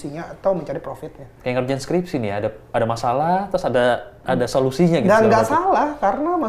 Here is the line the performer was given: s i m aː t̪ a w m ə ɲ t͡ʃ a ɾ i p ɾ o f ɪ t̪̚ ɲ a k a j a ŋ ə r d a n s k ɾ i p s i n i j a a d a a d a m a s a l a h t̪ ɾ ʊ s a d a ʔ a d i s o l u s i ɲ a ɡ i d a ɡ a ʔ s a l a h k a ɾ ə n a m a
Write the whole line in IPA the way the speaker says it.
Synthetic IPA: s i ɲ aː t̪ a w m ə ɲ t͡ʃ a ɾ i p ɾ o f ɪ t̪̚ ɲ a k a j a ŋ ə r d͡ʒ a n s k ɾ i p s i n i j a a d a a d a m a s a l a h t̪ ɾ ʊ s a d a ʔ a d a s o l u s i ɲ a ɡ i d a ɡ a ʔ s a l a h k a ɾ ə n a m a